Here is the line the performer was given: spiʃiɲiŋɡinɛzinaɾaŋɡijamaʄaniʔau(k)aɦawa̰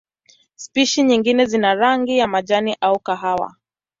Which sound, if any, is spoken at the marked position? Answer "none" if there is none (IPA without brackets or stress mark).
k